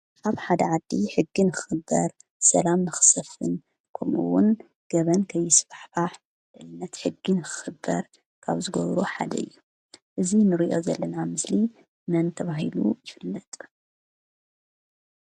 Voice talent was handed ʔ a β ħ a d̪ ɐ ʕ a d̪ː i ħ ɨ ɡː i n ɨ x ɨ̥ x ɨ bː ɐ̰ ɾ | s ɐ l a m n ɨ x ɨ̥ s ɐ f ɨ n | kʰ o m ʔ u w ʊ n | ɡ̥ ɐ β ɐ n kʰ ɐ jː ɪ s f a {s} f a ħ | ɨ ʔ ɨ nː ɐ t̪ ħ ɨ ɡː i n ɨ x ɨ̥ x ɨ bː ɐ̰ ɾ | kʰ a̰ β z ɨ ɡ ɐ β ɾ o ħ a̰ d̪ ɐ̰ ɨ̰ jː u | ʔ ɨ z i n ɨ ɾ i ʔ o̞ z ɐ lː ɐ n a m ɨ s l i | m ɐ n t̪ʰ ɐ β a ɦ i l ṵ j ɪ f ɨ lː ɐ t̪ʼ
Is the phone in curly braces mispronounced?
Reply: yes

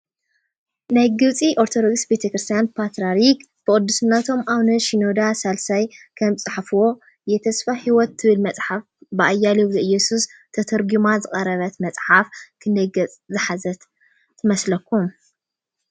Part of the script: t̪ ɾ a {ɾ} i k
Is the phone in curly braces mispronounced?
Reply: no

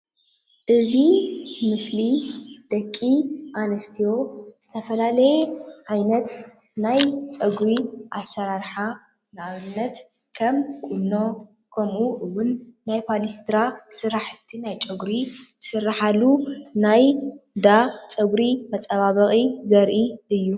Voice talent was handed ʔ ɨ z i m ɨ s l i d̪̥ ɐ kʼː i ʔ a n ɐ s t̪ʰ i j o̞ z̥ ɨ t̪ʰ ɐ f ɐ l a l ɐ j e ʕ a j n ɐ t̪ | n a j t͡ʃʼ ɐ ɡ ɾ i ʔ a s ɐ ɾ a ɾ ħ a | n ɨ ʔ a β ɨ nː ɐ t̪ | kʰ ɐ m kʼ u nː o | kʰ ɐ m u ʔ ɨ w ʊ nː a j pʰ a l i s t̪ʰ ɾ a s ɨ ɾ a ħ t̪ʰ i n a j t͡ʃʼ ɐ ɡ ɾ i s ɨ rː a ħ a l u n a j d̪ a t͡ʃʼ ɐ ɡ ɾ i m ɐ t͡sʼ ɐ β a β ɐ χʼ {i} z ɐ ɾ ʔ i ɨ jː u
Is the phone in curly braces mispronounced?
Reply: no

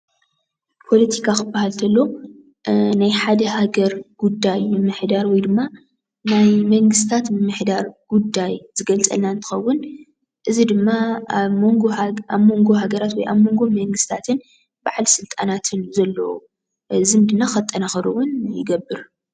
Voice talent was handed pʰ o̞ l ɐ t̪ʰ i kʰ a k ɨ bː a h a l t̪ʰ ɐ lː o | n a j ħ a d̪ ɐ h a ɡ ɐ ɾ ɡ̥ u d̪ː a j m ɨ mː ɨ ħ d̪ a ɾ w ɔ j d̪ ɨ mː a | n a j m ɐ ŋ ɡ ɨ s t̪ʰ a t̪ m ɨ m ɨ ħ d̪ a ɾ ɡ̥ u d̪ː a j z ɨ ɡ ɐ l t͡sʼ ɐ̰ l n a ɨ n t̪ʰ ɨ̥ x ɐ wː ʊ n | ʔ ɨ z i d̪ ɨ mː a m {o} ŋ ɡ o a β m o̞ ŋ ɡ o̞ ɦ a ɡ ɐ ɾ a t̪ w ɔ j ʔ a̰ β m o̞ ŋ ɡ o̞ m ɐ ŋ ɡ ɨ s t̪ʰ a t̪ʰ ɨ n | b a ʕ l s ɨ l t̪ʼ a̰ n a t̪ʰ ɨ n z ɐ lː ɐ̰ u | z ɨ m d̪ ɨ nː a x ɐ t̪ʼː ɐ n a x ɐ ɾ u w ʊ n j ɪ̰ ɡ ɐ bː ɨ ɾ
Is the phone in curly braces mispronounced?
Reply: no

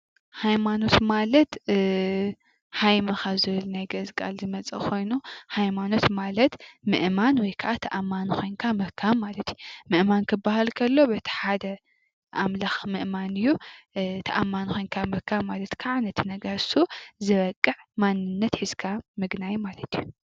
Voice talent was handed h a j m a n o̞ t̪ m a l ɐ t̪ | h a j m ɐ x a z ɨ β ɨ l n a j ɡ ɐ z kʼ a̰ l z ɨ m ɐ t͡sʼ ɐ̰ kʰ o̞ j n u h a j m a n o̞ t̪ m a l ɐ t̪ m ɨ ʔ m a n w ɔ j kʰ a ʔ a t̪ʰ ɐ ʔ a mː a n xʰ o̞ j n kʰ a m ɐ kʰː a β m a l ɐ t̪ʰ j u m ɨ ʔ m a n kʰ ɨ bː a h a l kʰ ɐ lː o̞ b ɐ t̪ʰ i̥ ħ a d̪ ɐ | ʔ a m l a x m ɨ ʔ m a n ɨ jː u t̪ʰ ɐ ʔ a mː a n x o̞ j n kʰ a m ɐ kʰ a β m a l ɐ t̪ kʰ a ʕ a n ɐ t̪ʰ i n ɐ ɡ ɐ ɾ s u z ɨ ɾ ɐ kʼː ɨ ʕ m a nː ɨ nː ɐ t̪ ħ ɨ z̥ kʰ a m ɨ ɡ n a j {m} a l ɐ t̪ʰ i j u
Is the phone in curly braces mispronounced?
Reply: no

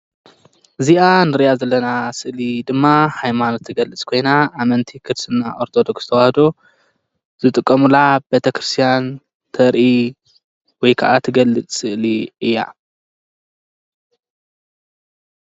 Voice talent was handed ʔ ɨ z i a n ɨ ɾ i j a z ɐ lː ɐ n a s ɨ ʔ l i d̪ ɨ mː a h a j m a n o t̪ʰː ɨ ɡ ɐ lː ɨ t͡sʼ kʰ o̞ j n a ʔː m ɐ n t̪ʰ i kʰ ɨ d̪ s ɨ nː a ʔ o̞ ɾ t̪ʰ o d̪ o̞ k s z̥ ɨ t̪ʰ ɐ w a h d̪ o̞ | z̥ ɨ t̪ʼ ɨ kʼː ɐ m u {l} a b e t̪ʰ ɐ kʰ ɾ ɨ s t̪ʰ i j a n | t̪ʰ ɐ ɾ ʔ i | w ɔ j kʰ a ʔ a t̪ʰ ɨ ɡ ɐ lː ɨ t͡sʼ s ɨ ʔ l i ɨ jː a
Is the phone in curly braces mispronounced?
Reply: no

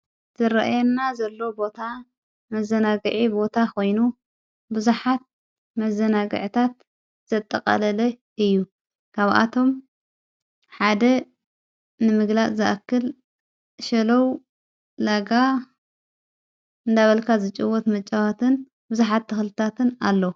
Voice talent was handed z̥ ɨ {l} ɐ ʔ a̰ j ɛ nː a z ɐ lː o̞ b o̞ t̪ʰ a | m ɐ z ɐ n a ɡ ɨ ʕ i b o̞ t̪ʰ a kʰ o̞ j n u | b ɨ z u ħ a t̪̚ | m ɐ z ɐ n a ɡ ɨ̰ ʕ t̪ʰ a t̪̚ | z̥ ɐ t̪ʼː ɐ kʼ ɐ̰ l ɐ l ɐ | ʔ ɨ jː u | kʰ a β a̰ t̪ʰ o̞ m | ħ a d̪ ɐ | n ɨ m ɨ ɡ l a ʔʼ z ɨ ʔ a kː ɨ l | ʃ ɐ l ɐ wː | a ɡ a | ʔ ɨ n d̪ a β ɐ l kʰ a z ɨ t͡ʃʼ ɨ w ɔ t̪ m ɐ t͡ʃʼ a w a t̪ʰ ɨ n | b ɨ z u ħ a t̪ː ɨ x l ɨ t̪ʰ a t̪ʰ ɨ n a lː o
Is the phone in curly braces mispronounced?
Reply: yes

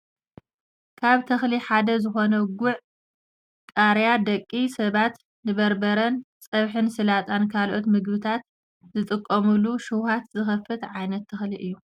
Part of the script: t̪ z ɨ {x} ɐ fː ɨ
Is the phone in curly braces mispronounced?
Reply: no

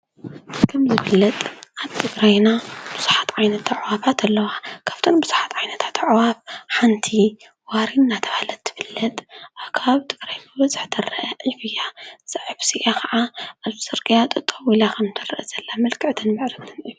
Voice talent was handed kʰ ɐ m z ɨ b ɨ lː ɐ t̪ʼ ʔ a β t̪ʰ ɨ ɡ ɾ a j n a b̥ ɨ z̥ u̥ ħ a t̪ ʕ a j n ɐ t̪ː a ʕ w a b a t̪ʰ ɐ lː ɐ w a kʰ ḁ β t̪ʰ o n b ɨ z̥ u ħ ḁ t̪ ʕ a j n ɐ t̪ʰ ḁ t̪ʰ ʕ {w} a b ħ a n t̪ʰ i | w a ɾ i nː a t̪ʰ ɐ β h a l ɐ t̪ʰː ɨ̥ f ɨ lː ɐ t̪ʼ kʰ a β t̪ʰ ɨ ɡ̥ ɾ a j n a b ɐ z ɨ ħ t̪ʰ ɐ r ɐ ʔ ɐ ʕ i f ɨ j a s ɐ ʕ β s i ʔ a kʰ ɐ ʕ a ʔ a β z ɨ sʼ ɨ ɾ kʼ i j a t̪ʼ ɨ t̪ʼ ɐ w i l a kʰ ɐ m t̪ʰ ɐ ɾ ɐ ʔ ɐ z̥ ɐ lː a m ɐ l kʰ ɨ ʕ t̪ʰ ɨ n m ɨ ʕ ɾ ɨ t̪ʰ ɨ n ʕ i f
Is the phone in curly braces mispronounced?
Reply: no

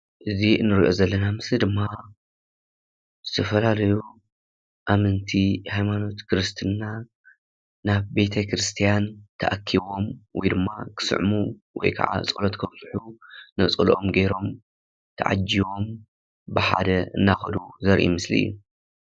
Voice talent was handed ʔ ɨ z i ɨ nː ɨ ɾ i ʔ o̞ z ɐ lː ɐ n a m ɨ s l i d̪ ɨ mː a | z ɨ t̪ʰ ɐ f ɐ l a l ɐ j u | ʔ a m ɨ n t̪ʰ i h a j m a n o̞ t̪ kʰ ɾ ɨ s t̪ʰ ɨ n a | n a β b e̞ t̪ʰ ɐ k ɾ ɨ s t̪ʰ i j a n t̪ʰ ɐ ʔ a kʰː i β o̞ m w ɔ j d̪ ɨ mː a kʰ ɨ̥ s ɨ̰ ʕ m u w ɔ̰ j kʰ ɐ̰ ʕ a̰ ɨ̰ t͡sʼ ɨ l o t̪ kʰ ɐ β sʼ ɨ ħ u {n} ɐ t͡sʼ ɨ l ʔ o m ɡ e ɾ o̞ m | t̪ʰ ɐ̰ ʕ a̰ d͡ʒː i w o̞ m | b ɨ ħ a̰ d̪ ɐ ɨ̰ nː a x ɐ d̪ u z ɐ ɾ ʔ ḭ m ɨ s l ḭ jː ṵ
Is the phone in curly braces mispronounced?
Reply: no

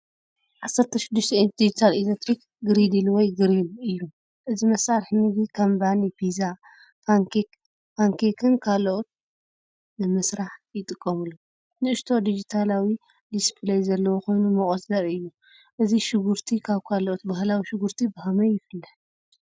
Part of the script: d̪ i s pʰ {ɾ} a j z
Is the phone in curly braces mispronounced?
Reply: yes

